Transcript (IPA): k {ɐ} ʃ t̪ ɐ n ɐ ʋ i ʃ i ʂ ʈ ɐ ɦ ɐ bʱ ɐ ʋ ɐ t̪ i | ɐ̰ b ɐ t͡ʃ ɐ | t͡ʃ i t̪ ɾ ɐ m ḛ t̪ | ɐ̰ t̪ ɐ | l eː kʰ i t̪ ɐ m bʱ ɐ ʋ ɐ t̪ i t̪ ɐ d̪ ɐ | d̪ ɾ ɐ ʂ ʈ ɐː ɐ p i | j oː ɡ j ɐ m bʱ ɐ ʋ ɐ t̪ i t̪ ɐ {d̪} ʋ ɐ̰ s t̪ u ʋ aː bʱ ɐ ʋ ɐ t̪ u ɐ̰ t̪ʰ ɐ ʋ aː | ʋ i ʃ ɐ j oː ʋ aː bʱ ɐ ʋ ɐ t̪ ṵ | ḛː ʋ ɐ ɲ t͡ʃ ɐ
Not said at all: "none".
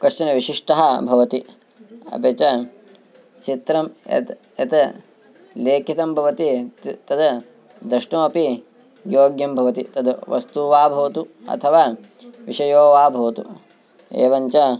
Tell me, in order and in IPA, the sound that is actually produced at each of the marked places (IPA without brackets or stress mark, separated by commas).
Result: ɐ, d̪